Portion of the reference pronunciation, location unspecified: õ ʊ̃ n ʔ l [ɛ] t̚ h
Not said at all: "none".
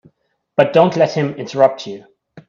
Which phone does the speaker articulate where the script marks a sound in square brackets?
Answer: ɛ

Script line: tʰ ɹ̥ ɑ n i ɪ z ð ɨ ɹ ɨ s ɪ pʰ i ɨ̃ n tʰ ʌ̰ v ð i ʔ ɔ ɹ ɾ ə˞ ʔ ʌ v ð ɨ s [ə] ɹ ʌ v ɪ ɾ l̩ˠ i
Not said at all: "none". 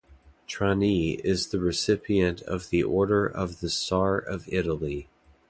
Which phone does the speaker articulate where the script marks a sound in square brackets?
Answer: ɑ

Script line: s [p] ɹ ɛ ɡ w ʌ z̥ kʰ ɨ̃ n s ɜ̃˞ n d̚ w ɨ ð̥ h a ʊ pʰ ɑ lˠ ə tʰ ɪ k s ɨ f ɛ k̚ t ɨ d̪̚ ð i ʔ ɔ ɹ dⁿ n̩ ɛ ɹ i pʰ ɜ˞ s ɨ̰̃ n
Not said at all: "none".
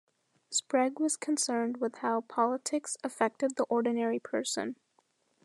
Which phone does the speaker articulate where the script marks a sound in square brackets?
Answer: p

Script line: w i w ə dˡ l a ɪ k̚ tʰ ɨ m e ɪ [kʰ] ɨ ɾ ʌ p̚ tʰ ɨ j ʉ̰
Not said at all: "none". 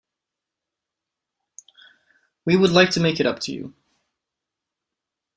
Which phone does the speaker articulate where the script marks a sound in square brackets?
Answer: k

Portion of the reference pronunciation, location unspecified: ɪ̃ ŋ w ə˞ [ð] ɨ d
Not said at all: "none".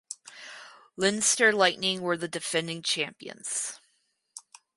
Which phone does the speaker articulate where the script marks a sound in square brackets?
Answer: ð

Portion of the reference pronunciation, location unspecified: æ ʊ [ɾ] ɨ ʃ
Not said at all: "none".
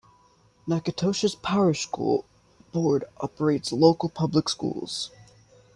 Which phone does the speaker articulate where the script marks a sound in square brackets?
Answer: ɹ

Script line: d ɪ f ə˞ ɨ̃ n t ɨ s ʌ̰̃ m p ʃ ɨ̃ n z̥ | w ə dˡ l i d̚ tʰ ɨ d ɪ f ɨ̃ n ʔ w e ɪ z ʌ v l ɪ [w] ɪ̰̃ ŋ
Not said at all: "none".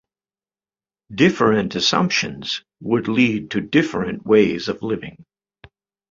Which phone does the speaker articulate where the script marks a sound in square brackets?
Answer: v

